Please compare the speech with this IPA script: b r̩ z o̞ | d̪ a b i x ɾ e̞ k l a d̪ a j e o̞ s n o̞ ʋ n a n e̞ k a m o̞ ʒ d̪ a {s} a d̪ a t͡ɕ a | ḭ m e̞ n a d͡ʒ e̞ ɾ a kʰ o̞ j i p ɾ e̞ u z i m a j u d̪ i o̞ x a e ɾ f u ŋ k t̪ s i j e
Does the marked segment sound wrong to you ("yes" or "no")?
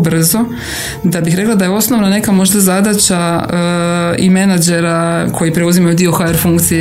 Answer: yes